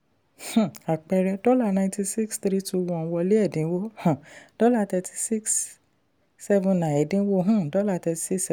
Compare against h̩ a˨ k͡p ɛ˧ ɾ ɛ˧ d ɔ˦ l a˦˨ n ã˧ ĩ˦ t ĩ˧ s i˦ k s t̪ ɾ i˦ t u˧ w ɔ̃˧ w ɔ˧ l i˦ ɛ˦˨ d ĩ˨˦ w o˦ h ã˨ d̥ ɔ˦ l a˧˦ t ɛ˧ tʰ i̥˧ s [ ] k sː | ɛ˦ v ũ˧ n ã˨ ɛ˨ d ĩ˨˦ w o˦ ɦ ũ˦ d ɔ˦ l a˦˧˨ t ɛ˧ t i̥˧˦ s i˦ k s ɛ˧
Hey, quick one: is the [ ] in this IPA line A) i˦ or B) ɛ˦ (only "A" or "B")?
A